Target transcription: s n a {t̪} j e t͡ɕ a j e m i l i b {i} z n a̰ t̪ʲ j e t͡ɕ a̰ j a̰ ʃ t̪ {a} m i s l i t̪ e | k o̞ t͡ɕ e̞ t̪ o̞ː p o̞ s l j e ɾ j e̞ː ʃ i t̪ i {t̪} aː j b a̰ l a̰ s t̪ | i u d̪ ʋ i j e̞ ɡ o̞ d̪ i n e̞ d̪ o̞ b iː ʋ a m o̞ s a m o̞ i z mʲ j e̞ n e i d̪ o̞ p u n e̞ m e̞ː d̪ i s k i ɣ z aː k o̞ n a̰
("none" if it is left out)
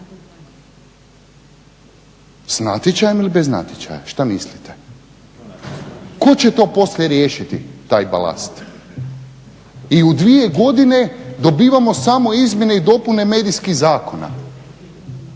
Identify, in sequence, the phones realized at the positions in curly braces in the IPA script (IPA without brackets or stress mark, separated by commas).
t̪, e, a, t̪